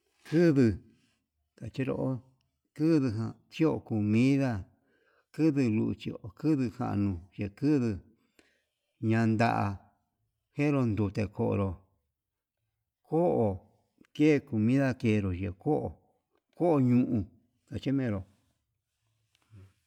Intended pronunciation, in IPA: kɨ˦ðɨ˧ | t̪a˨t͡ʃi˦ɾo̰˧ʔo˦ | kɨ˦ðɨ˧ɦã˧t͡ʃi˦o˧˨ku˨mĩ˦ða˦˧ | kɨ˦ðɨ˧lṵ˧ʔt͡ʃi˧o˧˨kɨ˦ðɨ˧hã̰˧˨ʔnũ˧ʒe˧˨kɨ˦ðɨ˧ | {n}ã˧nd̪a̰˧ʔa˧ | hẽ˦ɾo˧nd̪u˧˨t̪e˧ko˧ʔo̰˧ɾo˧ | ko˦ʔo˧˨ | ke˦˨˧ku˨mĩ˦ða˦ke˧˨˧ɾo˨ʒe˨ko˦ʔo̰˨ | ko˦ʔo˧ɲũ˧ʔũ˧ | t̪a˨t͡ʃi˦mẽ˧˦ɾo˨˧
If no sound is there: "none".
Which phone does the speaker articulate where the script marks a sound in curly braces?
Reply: ɲ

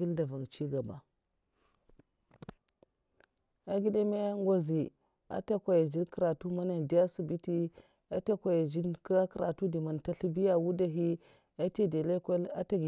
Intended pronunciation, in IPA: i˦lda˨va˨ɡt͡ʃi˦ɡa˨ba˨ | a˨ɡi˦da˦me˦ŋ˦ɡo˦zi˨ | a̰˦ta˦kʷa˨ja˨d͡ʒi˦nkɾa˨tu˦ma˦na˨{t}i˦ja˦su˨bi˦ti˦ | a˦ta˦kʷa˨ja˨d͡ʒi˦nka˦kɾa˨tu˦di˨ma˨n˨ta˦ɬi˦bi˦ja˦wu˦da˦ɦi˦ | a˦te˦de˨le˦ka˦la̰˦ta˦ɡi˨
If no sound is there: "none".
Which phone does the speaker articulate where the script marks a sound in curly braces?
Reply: d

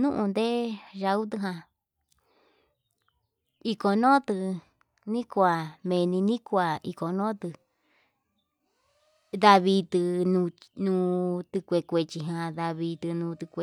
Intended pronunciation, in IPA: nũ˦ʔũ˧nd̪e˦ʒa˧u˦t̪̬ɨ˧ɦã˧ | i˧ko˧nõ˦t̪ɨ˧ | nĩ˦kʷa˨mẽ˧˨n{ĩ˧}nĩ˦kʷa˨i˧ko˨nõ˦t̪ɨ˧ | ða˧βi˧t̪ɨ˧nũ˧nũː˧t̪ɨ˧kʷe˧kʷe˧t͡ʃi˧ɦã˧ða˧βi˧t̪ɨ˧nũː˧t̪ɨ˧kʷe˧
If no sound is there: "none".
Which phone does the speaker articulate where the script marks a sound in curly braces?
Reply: ĩ˧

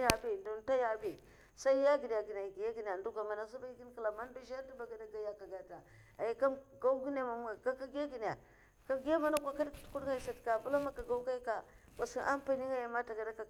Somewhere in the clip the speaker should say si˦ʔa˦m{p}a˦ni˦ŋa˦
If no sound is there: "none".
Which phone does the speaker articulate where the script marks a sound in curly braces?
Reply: p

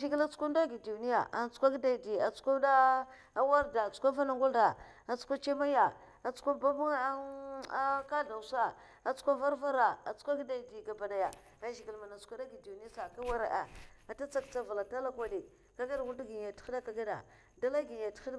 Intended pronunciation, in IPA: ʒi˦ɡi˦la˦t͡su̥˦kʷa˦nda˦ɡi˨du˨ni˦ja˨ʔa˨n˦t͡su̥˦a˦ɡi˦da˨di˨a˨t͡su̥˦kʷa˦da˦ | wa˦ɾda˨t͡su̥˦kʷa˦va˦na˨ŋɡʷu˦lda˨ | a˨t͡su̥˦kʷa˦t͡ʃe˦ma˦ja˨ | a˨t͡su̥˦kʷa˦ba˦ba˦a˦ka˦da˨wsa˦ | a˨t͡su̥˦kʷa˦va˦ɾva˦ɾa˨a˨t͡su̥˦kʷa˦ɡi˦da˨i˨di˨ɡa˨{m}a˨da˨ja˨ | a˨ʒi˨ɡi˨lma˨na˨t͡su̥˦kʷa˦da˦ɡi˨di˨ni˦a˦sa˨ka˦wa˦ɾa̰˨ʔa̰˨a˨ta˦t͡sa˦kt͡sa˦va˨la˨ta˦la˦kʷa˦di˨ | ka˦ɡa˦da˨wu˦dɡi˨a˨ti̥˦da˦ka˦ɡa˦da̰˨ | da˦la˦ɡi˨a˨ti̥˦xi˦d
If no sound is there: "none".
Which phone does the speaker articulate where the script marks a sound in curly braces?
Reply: b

